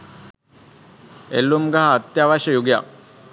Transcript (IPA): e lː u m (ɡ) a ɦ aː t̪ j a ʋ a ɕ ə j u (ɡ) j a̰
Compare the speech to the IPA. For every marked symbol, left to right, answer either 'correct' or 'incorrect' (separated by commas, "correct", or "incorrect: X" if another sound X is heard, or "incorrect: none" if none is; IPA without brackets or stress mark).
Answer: correct, correct